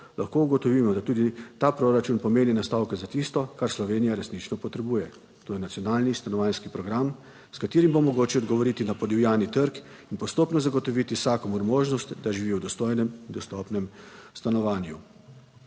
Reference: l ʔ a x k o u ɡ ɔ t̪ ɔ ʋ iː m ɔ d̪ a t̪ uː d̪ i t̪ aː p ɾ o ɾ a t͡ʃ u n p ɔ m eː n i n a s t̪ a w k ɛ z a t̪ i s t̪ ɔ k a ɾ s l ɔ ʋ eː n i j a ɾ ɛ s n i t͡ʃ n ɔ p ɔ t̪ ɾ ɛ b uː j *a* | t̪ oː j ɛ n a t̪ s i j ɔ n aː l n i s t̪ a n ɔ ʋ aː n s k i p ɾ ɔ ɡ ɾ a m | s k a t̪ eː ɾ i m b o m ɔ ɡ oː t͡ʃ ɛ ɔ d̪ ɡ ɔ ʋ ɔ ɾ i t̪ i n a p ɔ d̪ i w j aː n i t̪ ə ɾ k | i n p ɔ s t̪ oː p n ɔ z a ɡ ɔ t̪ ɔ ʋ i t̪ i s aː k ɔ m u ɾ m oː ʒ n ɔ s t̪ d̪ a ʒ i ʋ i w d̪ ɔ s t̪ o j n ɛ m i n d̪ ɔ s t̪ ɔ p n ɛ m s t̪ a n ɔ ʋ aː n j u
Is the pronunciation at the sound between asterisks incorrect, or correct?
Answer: incorrect